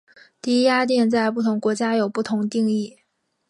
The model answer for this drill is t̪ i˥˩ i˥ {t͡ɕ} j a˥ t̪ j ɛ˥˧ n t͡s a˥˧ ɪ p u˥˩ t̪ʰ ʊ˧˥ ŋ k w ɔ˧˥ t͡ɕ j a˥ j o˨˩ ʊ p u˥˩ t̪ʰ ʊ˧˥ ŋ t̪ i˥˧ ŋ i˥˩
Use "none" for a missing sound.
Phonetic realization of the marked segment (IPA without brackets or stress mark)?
none